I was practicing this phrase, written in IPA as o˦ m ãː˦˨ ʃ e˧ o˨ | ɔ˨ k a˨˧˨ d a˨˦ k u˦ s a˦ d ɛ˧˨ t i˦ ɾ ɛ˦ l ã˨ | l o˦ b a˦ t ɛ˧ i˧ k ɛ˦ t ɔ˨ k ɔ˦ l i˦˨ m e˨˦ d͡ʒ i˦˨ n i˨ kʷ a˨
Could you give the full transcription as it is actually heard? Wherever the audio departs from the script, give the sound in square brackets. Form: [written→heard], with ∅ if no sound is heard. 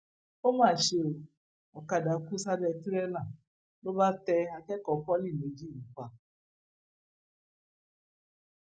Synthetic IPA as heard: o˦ m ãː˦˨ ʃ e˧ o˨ | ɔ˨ k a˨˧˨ d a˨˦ k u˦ s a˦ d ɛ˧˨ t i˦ ɾ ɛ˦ l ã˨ | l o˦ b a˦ t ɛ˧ [i˧→a˧] k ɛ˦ [t→k] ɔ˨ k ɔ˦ l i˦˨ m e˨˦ d͡ʒ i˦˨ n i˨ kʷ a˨